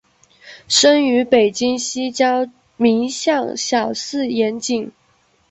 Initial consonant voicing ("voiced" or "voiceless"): voiceless